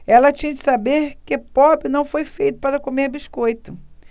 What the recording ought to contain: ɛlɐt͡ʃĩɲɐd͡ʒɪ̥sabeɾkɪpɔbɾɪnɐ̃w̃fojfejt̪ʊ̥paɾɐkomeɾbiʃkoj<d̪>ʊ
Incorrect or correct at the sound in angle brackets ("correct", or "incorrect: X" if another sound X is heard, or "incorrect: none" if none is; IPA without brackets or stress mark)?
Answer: incorrect: t̪